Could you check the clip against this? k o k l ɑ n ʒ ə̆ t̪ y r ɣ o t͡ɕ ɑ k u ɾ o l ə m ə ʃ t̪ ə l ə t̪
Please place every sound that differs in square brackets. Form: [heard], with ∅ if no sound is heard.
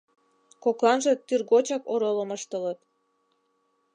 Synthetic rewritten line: k o k l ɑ n ʒ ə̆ t̪ y r ɣ o t͡ɕ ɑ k [o] ɾ o l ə m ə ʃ t̪ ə l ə t̪